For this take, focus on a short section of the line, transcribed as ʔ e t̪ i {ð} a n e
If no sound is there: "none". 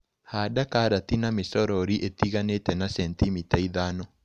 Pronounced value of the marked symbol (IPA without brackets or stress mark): ɣ